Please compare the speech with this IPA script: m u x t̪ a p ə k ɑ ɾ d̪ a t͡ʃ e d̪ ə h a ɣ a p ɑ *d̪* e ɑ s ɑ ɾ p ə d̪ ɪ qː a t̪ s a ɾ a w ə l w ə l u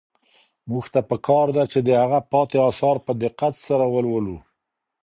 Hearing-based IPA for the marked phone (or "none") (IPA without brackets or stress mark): t̪